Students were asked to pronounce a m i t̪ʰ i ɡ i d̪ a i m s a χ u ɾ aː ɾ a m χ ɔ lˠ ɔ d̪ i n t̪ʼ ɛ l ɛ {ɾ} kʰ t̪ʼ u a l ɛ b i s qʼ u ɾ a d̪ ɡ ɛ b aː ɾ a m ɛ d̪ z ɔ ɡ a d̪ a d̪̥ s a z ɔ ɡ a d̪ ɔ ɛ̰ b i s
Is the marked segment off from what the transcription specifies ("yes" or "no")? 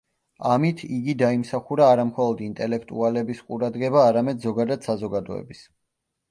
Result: yes